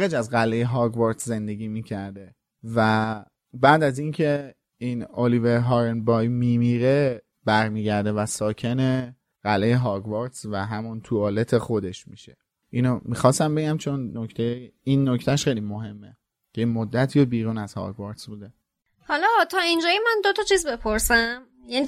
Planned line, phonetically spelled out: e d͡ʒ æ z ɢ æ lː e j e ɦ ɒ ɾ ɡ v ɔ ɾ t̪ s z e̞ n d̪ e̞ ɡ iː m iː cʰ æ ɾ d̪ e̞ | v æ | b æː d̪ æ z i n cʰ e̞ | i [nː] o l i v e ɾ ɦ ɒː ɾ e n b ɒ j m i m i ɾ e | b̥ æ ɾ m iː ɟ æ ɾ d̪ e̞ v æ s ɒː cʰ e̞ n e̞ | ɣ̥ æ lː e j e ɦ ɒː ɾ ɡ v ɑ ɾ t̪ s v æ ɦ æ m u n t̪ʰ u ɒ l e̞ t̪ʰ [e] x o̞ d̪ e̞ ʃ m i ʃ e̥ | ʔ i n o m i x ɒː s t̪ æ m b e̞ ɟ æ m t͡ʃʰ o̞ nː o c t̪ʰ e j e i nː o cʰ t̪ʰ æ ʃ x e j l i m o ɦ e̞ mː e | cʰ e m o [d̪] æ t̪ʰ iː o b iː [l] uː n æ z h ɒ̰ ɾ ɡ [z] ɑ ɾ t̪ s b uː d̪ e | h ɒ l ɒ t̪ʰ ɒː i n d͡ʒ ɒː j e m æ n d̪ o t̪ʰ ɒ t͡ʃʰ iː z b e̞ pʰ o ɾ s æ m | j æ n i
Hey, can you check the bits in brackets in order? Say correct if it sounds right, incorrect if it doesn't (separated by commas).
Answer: incorrect, correct, incorrect, incorrect, incorrect